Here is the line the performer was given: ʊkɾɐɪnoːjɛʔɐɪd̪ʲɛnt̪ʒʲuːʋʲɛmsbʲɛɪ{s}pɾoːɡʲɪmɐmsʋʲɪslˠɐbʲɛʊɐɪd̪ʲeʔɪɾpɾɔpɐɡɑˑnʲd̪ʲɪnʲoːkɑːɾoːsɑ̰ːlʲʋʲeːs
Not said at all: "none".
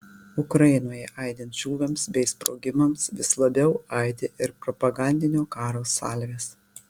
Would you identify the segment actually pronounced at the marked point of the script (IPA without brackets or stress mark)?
s